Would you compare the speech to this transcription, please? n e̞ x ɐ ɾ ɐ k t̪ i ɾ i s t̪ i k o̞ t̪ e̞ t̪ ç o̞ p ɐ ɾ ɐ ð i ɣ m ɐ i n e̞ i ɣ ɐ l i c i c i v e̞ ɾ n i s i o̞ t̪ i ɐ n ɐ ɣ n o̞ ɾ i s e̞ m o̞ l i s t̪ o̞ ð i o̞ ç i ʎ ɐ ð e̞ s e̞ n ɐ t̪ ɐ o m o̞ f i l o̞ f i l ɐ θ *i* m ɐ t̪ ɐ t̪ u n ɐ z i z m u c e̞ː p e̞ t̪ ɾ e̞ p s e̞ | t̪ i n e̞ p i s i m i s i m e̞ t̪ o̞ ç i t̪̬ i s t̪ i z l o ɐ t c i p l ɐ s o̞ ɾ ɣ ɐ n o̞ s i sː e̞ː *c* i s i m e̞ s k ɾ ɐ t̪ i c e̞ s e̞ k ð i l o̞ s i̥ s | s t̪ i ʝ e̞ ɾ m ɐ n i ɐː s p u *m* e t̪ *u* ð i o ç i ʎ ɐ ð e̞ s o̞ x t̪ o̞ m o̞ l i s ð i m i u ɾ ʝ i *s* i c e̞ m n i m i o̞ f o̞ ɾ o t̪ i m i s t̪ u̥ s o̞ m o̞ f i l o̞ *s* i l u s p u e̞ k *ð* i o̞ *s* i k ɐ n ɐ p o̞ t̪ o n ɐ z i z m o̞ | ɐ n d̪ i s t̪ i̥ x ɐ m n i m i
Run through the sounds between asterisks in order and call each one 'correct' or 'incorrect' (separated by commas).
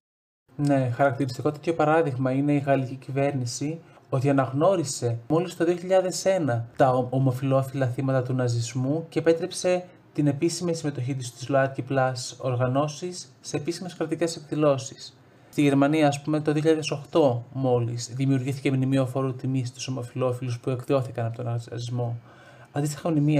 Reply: correct, incorrect, correct, incorrect, incorrect, incorrect, correct, incorrect